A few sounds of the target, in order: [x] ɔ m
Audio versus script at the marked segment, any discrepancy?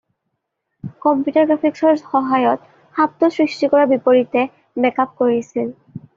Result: yes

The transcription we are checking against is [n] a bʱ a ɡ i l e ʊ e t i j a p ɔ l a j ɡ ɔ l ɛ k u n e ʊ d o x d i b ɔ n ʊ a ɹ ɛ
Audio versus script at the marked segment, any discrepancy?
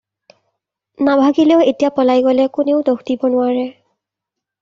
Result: no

